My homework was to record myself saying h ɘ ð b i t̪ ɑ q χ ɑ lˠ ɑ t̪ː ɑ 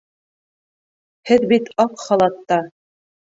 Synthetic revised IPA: h ɘ ð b i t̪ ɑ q χ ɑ lˠ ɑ t̪ː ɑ